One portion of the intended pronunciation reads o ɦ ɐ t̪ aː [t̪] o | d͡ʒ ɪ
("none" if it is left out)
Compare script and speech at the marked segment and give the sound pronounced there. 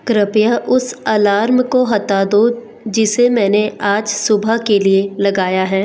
d̪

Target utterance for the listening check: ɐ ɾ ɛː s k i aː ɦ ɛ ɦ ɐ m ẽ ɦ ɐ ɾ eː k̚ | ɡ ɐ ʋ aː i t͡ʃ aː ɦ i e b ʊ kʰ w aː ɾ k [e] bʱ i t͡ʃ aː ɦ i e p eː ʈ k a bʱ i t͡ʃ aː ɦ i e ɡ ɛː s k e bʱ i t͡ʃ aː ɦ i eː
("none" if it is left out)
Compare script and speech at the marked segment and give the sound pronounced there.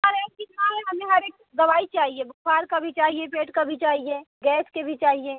a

